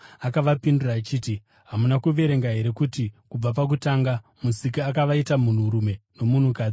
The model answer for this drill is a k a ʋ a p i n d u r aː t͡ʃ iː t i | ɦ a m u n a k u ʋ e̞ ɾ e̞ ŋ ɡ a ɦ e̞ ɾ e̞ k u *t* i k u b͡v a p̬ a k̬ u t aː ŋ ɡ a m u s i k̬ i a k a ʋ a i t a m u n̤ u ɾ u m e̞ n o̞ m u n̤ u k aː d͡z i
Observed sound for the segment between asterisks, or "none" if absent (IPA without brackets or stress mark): t